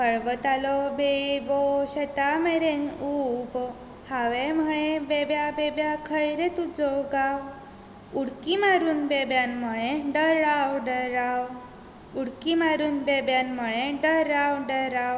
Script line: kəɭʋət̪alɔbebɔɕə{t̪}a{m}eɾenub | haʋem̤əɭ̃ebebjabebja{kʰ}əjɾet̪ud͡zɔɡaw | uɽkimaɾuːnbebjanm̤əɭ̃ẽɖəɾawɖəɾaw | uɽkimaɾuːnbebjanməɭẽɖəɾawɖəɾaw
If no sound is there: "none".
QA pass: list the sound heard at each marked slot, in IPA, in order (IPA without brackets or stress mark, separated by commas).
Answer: t̪, m, kʰ